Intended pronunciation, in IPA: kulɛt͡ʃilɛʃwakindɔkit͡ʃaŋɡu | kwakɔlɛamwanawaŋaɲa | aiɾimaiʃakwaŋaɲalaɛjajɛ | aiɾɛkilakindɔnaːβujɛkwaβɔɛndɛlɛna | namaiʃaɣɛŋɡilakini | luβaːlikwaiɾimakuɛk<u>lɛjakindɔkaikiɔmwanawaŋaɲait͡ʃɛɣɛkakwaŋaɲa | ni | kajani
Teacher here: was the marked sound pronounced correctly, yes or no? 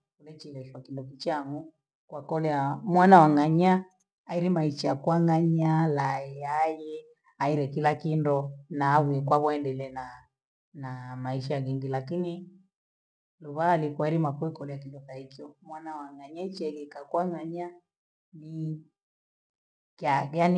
no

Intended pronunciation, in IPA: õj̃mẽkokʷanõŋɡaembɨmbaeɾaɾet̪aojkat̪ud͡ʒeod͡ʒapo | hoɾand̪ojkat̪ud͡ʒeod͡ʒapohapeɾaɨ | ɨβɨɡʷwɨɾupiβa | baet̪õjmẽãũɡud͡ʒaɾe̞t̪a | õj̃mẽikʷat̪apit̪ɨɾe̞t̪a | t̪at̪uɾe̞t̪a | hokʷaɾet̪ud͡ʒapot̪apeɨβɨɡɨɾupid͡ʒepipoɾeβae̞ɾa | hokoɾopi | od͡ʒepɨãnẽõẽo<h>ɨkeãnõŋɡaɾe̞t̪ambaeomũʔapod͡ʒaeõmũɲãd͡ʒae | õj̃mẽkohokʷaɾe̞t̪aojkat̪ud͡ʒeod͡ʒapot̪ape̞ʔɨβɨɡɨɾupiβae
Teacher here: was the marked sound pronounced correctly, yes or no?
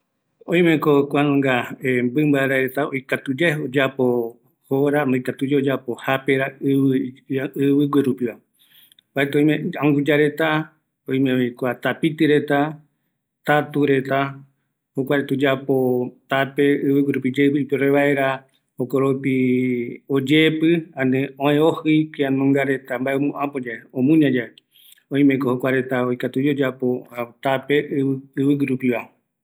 yes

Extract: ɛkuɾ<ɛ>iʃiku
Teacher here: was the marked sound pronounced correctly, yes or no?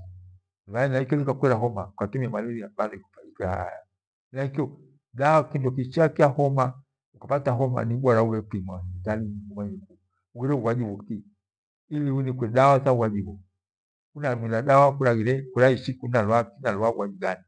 no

